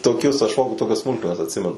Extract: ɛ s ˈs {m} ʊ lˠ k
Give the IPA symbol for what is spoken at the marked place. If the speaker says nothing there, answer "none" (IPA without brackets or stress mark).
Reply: m